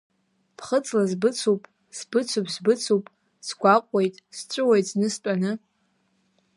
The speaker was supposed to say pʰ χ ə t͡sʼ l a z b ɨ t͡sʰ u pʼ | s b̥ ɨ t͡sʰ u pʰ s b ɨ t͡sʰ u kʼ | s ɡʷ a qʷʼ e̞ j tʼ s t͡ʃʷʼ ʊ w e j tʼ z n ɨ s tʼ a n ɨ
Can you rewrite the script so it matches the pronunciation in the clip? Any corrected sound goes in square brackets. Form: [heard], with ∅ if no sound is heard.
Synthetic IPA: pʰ χ ə t͡sʼ l a z b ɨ t͡sʰ u pʼ | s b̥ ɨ t͡sʰ u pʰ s b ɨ t͡sʰ u [pʼ] | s ɡʷ a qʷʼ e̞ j tʼ s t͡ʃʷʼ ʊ w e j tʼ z n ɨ s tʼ a n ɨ

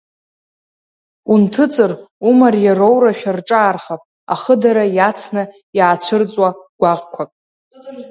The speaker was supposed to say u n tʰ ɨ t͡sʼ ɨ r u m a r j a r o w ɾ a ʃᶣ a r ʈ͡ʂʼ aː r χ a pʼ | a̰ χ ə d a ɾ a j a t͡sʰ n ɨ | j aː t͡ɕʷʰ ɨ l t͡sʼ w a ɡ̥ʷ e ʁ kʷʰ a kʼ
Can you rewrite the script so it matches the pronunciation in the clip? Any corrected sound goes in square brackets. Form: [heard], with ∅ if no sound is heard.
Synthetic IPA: u n tʰ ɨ t͡sʼ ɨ r u m a r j a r o w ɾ a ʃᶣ a r ʈ͡ʂʼ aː r χ a pʼ | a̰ χ ə d a ɾ a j a t͡sʰ n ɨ | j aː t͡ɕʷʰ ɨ [r] t͡sʼ w a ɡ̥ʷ [a] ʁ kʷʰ a kʼ

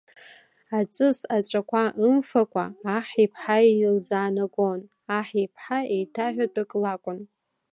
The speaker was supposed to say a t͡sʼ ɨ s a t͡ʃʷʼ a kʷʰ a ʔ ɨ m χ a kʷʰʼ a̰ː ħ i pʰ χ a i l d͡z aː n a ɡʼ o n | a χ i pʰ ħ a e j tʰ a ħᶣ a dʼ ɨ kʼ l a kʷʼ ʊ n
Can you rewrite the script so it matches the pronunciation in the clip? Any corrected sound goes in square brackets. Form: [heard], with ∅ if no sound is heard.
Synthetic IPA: a t͡sʼ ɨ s a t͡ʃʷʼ a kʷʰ a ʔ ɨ m [f] a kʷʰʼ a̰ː ħ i pʰ [ħ] a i l d͡z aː n a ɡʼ o n | a [ħ] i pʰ ħ a e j tʰ a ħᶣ a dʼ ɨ kʼ l a kʷʼ ʊ n

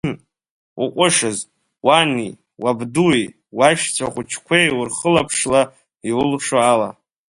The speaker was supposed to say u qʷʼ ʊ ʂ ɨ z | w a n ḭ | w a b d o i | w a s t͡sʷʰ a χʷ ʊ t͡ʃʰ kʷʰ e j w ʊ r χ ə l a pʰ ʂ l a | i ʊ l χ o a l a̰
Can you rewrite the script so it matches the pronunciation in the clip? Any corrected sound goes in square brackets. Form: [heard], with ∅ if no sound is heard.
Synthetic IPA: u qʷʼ ʊ ʂ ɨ z | w a n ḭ | w a b d [u] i | w a [ʃ] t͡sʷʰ a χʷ ʊ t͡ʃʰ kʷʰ e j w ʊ r χ ə l a pʰ ʂ l a | i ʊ l [ʂ] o a l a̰

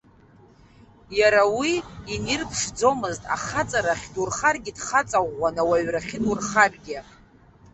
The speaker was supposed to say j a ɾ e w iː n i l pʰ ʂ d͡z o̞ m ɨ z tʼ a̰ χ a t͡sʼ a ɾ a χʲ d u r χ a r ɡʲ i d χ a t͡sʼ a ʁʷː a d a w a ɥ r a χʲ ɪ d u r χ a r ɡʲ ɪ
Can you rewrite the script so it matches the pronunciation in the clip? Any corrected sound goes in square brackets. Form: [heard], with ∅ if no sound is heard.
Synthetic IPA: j a ɾ [a] w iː n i [r] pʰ ʂ d͡z o̞ m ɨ z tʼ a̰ χ a t͡sʼ a ɾ a χʲ d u r χ a r ɡʲ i d χ a t͡sʼ a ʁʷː a [n] a w a ɥ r a χʲ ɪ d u r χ a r ɡʲ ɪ

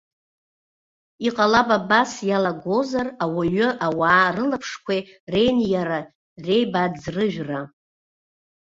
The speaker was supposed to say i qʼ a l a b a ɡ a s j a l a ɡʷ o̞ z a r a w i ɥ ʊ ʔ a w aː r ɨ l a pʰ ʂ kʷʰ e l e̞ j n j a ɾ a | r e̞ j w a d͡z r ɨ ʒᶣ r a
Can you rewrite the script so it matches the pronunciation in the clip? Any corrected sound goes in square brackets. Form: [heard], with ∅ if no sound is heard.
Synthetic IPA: i qʼ a l a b a [b] a s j a l a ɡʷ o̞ z a r a w [a] ɥ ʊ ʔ a w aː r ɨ l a pʰ ʂ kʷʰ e [r] e̞ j n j a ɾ a | r e̞ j [b] a d͡z r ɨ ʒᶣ r a

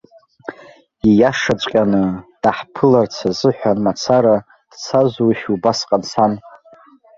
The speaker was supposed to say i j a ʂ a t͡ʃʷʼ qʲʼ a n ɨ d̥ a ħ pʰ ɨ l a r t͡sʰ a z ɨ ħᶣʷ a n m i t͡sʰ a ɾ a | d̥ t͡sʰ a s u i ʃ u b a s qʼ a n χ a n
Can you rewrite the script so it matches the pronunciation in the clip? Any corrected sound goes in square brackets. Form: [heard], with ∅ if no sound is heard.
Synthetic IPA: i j a ʂ a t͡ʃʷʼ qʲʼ a n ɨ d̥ a ħ pʰ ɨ l a r t͡sʰ a z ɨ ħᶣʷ a n m [a] t͡sʰ a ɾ a | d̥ t͡sʰ a [z] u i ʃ u b a s qʼ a n [s] a n

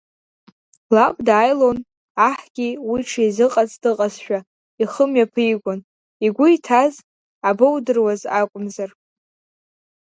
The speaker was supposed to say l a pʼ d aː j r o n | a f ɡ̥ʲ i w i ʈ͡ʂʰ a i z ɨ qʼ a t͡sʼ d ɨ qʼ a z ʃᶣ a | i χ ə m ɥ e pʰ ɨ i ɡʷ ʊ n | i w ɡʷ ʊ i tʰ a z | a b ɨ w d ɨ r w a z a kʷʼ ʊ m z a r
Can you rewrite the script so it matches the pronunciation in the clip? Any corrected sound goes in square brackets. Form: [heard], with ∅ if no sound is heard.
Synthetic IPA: l a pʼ d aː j [l] o n | a [ħ] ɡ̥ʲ i w i ʈ͡ʂʰ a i z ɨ qʼ a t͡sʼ d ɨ qʼ a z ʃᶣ a | i χ ə m ɥ [a] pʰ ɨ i ɡʷ ʊ n | i [∅] ɡʷ ʊ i tʰ a z | a b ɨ w d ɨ r w a z a kʷʼ ʊ m z a r

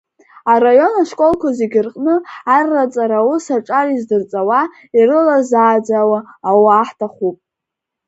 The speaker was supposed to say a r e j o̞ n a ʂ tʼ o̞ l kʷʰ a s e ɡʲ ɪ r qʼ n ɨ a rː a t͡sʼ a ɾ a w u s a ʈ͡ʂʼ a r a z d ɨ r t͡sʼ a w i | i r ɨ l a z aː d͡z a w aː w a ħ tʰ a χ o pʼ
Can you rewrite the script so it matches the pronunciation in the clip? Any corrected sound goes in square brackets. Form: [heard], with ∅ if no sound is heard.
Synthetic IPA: a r [a] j o̞ n a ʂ [kʼ] o̞ l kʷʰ a [z] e ɡʲ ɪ r qʼ n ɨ a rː a t͡sʼ a ɾ a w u s a ʈ͡ʂʼ a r [i] z d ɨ r t͡sʼ a w [a] | i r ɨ l a z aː d͡z a w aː w a ħ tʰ a χ [u] pʼ

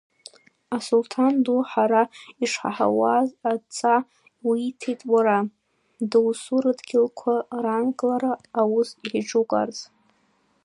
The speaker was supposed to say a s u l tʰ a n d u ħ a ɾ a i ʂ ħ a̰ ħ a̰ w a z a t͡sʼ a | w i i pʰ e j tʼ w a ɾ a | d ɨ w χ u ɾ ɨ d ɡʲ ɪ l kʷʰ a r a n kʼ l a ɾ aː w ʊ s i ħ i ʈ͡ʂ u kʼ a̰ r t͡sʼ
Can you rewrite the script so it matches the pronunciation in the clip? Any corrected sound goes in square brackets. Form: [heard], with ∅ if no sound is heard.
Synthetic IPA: a s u l tʰ a n d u ħ a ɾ a i ʂ ħ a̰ ħ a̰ w a z a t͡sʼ a | w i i [tʰ] e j tʼ w a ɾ a | d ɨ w [s] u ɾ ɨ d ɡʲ ɪ l kʷʰ a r a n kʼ l a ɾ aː w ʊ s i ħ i ʈ͡ʂ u kʼ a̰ r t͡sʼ

